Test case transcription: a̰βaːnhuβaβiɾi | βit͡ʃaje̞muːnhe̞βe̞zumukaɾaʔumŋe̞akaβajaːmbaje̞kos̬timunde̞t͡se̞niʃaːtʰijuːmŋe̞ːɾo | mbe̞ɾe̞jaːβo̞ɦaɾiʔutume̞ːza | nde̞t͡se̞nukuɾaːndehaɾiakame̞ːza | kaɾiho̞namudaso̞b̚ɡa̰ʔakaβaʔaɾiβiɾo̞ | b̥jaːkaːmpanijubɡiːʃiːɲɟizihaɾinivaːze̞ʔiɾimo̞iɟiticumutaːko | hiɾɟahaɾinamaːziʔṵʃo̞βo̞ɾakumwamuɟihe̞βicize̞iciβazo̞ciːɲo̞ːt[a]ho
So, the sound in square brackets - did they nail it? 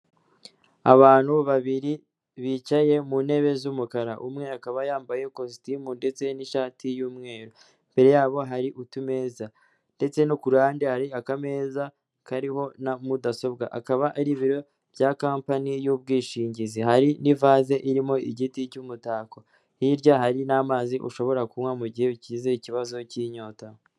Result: yes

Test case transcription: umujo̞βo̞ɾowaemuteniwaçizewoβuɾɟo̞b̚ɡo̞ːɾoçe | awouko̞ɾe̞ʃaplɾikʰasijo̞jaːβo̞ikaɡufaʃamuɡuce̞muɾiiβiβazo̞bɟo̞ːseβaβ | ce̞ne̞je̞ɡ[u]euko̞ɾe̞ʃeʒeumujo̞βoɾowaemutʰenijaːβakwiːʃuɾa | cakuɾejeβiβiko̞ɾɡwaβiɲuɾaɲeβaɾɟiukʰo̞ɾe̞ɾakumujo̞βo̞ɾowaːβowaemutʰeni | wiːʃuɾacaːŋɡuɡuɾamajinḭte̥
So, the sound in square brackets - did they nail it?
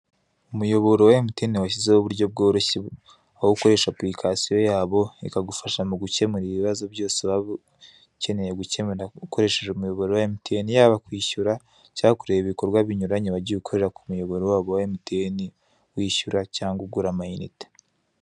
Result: yes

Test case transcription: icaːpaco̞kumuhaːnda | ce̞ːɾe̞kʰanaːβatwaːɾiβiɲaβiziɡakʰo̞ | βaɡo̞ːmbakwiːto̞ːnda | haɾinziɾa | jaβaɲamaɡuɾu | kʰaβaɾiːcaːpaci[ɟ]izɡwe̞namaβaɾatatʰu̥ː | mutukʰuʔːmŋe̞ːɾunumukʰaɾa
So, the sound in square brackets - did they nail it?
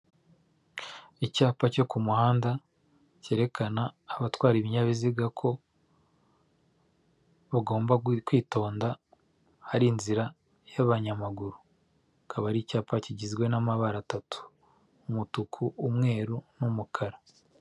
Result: yes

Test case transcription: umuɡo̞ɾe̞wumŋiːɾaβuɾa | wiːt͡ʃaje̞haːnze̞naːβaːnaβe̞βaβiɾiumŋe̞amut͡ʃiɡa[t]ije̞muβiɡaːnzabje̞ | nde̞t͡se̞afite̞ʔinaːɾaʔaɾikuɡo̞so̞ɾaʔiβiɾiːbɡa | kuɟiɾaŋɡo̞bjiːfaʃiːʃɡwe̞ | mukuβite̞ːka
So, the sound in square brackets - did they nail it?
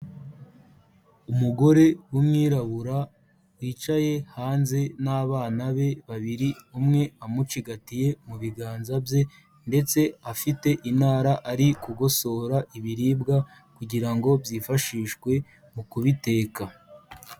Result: yes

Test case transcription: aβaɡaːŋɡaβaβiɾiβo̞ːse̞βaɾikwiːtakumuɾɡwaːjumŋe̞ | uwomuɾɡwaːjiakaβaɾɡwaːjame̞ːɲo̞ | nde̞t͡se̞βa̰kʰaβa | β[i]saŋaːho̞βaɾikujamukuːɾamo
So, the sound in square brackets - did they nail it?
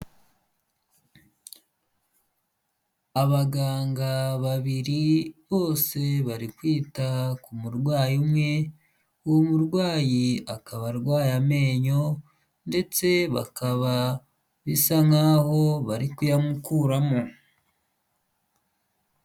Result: yes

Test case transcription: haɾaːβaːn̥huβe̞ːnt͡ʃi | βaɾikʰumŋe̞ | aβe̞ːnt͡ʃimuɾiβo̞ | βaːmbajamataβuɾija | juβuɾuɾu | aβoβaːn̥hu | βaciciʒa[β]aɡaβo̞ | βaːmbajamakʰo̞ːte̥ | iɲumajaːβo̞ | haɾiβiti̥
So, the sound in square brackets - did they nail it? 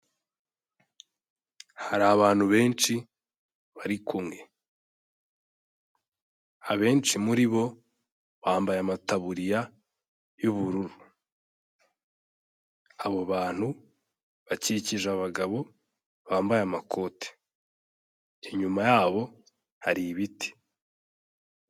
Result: yes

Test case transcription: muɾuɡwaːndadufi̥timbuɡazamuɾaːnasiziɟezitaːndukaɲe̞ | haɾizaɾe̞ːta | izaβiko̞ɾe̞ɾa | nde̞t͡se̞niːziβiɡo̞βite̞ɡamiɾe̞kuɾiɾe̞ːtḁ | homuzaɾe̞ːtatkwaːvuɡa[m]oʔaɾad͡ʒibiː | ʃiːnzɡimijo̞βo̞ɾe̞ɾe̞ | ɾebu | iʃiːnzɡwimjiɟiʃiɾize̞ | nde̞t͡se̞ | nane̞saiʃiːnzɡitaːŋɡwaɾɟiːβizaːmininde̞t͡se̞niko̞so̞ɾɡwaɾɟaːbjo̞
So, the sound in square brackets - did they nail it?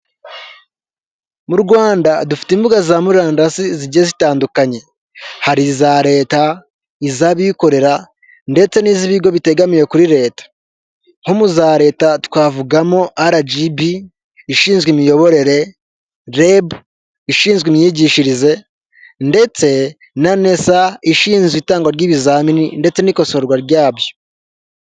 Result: yes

